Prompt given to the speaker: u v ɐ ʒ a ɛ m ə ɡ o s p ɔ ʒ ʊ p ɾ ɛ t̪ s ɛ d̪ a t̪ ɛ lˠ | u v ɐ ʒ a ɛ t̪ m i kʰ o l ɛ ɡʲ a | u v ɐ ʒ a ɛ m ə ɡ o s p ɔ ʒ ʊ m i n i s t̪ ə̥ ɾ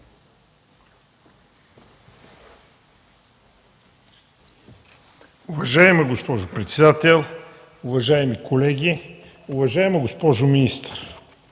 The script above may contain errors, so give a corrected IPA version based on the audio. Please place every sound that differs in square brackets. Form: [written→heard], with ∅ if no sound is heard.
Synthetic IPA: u v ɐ ʒ a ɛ m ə ɡ o s p ɔ ʒ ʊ p ɾ ɛ t̪ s ɛ d̪ a t̪ ɛ lˠ | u v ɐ ʒ a ɛ [t̪→∅] m i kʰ o l ɛ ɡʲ [a→i] | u v ɐ ʒ a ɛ m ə ɡ o s p ɔ ʒ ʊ m i n i s t̪ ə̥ ɾ